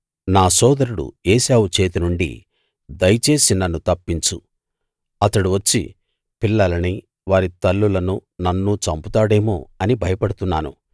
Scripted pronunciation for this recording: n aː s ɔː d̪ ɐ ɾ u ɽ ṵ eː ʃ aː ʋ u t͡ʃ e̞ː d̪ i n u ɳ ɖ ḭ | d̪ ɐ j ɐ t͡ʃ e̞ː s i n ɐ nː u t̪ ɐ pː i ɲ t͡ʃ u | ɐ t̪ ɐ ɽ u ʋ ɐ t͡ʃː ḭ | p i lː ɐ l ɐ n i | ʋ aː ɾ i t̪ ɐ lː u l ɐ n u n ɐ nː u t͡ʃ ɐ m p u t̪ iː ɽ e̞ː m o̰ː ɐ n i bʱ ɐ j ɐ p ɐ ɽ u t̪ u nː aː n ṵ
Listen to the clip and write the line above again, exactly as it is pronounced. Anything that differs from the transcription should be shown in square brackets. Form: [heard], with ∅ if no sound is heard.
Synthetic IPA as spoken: n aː s ɔː d̪ ɐ ɾ u ɽ ṵ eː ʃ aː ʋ u t͡ʃ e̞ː [t̪] i n u ɳ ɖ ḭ | d̪ ɐ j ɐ t͡ʃ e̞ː s i n ɐ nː u t̪ ɐ pː i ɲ t͡ʃ u | ɐ t̪ ɐ ɽ u ʋ ɐ t͡ʃː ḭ | p i lː ɐ l ɐ n i | ʋ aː ɾ i t̪ ɐ lː u l ɐ n u n ɐ nː u t͡ʃ ɐ m p u t̪ [aː] ɽ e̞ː m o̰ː ɐ n i bʱ ɐ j ɐ p ɐ ɽ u t̪ u nː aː n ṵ

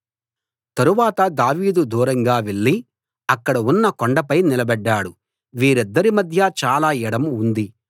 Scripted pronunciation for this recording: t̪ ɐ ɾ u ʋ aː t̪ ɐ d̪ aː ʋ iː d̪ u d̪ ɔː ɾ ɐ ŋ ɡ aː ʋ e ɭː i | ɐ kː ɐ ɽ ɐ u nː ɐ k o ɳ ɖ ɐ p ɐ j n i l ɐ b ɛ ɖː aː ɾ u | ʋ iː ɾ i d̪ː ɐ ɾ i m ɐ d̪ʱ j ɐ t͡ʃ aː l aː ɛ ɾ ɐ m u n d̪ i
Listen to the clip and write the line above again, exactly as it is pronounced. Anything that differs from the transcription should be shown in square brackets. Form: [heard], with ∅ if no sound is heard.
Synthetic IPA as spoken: t̪ ɐ ɾ u ʋ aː t̪ ɐ d̪ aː ʋ iː d̪ u d̪ [uː] ɾ ɐ ŋ ɡ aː ʋ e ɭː i | ɐ kː ɐ ɽ ɐ u nː ɐ k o ɳ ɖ ɐ p ɐ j n i l ɐ b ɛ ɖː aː [ɽ] u | ʋ iː ɾ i d̪ː ɐ ɾ i m ɐ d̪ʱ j ɐ t͡ʃ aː l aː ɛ [ɽ] ɐ m u n d̪ i

